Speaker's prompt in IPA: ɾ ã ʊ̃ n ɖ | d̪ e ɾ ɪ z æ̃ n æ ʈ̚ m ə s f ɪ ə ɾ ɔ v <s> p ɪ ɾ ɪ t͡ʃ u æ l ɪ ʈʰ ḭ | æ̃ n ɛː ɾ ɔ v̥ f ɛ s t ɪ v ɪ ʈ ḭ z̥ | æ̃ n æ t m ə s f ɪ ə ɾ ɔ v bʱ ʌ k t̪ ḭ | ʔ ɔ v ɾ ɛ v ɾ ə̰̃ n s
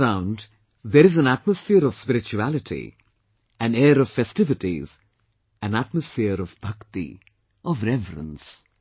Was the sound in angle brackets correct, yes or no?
yes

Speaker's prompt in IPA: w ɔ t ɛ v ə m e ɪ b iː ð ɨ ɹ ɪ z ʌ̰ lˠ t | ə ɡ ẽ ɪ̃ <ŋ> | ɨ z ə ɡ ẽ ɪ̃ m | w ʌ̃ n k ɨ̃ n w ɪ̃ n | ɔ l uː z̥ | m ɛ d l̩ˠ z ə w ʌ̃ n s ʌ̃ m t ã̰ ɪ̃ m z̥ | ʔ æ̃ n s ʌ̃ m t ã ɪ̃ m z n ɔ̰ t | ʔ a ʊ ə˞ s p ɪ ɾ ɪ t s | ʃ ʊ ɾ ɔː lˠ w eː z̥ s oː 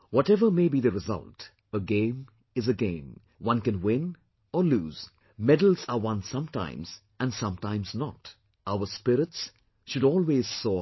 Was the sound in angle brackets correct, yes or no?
no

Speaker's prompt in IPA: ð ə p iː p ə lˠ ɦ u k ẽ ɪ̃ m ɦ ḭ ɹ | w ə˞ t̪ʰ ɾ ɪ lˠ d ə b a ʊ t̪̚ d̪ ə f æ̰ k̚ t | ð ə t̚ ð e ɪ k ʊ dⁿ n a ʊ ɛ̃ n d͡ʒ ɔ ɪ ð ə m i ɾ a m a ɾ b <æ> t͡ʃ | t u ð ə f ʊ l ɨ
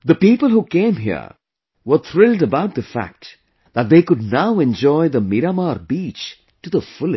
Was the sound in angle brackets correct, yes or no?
no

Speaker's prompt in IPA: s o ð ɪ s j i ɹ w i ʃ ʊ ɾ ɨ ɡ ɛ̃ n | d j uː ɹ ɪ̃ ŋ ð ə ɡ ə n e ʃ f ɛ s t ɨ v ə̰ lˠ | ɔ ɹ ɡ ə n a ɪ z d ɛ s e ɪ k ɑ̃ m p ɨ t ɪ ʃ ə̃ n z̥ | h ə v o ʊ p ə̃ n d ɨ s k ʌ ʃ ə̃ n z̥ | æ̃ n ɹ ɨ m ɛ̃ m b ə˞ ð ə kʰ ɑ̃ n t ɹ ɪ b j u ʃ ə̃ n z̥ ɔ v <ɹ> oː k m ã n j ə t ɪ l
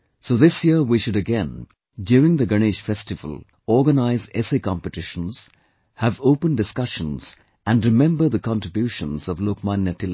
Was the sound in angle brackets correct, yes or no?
no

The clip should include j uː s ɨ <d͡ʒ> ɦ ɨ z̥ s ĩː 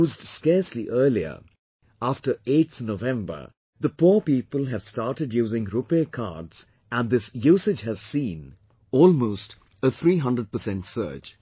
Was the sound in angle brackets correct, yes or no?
yes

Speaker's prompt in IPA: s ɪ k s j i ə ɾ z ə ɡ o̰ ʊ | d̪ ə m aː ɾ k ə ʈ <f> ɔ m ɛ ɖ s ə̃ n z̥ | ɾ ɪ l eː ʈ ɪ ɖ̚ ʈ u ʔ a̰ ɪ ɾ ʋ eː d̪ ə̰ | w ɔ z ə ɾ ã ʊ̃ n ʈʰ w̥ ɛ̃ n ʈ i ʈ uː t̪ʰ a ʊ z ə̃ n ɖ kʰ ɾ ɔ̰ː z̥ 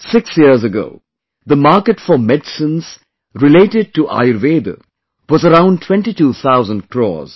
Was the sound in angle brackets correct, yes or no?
yes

